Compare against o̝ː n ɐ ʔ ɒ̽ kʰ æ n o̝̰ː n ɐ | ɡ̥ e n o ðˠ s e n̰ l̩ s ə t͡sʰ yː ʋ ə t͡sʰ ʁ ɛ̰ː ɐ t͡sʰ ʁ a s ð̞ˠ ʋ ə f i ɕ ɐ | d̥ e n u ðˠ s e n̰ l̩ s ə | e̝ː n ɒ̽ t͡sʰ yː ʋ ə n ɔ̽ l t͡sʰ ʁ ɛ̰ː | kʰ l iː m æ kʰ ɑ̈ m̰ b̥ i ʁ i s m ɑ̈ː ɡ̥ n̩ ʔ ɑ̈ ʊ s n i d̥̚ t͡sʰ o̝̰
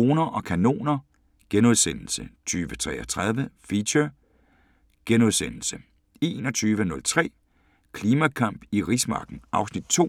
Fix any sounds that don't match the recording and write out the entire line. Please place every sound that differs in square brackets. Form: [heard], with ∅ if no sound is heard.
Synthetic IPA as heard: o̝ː n ɐ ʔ ɒ̽ kʰ æ n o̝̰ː n ɐ | ɡ̥ e n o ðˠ s e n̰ l̩ s ə t͡sʰ yː ʋ ə t͡sʰ ʁ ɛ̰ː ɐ t͡sʰ ʁ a [∅] ð̞ˠ ʋ ə f i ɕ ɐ | [ɡ̥] e n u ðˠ s e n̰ l̩ s ə | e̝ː n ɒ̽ t͡sʰ yː ʋ ə n ɔ̽ l t͡sʰ ʁ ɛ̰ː | kʰ l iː m æ kʰ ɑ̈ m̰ b̥ i ʁ i s m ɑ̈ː ɡ̥ n̩ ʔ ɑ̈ ʊ s n i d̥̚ t͡sʰ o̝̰